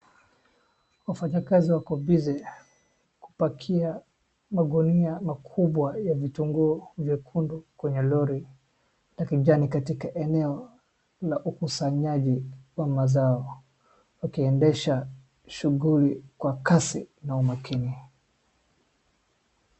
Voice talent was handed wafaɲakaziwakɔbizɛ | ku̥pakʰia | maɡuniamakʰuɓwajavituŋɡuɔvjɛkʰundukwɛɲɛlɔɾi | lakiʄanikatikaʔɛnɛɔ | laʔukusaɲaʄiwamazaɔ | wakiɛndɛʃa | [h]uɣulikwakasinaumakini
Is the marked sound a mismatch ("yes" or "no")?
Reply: yes